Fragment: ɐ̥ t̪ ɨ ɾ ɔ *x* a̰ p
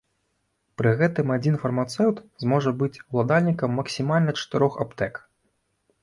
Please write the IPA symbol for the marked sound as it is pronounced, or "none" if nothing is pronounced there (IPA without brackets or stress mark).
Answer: x